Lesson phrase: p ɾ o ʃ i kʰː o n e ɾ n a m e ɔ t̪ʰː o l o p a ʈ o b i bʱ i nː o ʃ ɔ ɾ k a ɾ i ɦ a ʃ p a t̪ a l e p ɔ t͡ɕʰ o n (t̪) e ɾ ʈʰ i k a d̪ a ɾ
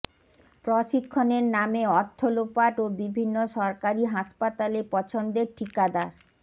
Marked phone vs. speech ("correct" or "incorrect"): incorrect